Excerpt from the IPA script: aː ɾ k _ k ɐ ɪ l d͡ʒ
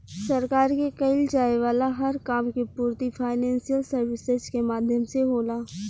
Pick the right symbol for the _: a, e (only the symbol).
e